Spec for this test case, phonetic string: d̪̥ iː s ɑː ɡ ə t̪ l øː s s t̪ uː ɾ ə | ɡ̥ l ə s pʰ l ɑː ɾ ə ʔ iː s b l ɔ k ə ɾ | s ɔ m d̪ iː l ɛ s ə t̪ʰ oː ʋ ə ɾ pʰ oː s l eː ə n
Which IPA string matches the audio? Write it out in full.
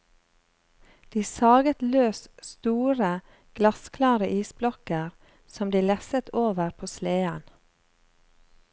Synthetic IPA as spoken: d̪̥ iː s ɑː ɡ ə t̪ l øː s s t̪ uː ɾ ə | ɡ̥ l ɑ s kʰ l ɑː ɾ ə ʔ iː s b l ɔ k ə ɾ | s ɔ m d̪ iː l ɛ s ə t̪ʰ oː ʋ ə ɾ pʰ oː s l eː ə n